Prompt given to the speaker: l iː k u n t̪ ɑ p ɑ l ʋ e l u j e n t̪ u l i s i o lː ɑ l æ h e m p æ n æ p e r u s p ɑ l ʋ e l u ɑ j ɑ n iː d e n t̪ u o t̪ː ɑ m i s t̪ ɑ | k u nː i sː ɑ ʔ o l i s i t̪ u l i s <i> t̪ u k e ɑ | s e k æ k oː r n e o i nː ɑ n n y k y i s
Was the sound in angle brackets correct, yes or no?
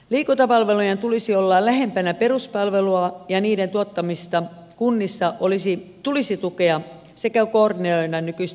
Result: yes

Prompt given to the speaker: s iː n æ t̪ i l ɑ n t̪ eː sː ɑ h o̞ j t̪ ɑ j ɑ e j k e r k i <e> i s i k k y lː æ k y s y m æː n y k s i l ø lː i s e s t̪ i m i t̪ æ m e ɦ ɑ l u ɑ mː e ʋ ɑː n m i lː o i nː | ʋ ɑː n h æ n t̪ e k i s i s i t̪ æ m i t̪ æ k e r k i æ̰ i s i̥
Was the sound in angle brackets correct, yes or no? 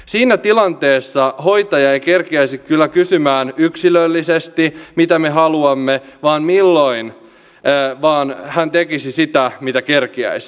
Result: no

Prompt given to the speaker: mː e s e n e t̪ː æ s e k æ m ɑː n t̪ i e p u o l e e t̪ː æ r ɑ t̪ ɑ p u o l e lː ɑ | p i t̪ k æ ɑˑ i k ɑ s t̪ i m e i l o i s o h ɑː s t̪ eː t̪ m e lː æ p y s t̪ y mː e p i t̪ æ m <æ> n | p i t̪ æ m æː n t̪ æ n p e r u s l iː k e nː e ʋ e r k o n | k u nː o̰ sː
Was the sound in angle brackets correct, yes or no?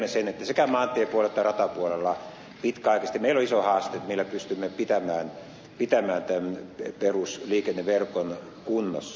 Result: no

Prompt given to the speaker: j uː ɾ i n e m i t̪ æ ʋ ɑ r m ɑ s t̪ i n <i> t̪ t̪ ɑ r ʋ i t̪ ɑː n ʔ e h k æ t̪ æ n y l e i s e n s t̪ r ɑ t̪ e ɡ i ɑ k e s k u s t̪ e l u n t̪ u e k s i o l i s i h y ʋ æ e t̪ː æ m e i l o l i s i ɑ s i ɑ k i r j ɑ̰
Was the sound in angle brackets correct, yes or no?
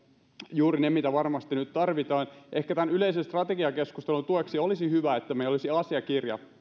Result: no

